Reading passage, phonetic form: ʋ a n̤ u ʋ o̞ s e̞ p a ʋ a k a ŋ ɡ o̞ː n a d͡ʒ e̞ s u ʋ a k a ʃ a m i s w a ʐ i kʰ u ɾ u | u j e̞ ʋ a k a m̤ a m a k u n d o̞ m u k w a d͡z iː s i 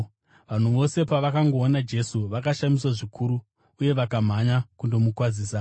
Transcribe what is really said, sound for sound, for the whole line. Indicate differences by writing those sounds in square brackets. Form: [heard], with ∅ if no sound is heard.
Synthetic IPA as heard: ʋ a n̤ u ʋ o̞ s e̞ p a ʋ a k a ŋ ɡ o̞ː n a d͡ʒ e̞ s u ʋ a k a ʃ a m i s w a ʐ i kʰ u ɾ u | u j e̞ ʋ a k a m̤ a [ɲ] a k u n d o̞ m u k w a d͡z iː s [a]